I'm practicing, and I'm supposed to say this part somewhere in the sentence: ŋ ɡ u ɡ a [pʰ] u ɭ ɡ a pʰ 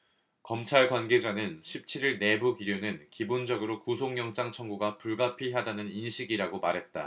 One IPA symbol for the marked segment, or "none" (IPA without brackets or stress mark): p